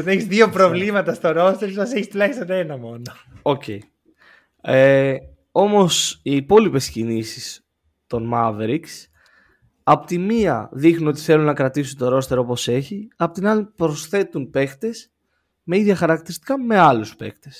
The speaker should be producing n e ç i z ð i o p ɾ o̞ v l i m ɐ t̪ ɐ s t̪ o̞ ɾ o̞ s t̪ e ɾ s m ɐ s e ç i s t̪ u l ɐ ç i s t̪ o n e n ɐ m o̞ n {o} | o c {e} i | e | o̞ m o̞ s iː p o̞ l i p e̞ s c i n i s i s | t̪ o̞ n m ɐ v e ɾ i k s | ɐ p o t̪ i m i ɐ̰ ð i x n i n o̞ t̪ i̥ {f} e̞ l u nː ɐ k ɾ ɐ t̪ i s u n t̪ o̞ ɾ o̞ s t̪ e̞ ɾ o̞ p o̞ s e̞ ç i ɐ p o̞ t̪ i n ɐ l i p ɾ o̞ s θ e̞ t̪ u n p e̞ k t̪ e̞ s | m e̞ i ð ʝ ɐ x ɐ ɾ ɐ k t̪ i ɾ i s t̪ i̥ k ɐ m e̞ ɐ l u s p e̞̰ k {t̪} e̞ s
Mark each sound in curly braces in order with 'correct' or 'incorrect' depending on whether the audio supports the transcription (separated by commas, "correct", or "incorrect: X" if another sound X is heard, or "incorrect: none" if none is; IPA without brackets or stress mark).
correct, correct, incorrect: θ, correct